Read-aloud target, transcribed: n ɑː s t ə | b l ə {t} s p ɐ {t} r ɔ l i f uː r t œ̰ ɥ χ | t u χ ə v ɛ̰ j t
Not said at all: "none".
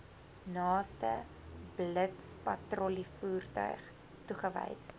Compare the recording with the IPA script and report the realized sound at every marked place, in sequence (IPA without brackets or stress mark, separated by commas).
t, t